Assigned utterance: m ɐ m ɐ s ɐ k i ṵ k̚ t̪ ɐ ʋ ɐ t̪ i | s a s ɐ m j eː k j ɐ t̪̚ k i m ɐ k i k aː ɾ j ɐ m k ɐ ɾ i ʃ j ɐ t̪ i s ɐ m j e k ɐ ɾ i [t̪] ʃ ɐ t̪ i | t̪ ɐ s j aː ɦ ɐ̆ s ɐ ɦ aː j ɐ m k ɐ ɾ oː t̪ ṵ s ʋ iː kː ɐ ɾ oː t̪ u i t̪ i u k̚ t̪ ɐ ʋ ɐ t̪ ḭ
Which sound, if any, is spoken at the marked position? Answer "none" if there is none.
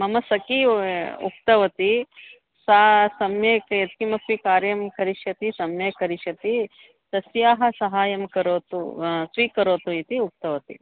none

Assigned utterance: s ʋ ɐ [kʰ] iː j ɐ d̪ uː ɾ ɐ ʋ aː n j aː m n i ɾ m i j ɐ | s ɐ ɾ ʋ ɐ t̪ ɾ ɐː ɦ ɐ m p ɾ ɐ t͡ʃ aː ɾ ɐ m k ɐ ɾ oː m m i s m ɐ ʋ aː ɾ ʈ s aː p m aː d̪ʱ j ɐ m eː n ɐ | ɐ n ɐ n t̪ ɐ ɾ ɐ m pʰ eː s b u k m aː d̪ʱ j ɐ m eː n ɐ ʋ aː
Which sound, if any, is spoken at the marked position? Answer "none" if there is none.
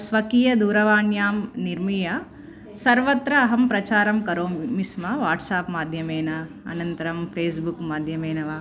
k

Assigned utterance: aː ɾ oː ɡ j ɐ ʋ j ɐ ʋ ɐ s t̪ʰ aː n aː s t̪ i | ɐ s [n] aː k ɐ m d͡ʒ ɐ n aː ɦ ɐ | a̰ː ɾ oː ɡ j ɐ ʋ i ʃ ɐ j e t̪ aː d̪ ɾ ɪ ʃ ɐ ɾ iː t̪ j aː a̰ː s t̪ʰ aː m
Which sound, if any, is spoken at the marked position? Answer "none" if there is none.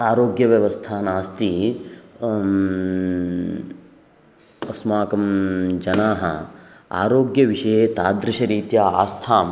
m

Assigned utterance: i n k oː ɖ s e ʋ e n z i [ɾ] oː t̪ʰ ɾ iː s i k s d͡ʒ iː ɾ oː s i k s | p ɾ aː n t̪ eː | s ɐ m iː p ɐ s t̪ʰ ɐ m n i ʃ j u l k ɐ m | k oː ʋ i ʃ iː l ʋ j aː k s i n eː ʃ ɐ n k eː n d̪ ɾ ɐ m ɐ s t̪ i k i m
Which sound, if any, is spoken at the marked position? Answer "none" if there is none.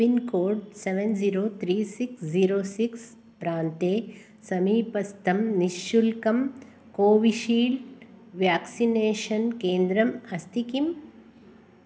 ɾ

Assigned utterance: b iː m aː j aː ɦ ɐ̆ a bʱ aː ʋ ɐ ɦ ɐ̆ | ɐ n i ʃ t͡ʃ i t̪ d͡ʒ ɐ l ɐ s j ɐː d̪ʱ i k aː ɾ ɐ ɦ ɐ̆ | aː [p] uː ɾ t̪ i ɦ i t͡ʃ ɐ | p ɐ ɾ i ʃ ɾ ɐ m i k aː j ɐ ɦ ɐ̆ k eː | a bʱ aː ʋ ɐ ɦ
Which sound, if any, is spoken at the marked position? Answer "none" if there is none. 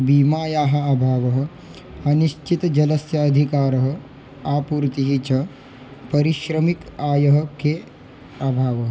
p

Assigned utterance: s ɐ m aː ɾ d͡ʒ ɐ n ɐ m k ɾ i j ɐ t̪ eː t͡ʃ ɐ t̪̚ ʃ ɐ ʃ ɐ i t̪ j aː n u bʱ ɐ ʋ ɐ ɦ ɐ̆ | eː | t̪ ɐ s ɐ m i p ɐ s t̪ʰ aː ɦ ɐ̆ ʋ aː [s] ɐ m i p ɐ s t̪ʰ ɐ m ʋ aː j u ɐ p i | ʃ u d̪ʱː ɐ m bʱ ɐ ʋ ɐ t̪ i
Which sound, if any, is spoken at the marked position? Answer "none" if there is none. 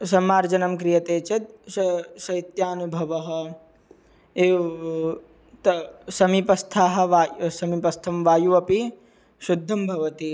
s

